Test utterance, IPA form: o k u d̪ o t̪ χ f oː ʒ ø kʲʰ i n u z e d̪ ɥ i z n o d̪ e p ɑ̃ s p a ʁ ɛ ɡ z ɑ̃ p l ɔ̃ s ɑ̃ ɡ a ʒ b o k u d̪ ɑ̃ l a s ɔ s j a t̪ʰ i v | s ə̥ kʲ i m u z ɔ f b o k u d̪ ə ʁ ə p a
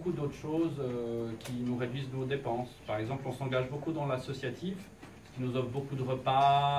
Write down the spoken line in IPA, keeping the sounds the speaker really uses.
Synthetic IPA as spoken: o k u d̪ o t̪ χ ʃ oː z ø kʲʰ i n u ʁ e d̪ ɥ i z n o d̪ e p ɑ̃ s p a ʁ ɛ ɡ z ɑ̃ p l ɔ̃ s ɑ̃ ɡ a ʒ b o k u d̪ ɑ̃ l a s ɔ s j a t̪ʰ i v | s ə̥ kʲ i n u z ɔ f b o k u d̪ ə ʁ ə p a